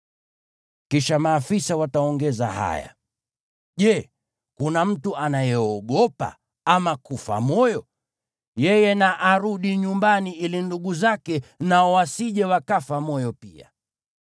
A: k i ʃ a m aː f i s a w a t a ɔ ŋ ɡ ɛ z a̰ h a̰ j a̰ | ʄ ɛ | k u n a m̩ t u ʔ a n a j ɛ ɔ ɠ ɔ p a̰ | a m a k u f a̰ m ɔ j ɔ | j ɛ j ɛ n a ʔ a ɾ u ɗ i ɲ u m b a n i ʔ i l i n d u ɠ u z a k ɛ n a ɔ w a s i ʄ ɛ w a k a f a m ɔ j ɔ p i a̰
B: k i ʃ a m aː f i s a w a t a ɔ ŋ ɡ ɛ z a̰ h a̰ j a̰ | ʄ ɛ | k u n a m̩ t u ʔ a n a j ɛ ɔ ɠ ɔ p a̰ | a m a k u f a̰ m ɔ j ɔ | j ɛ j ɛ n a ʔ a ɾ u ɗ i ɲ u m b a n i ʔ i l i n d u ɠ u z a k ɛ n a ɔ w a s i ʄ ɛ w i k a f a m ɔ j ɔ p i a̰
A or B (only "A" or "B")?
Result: A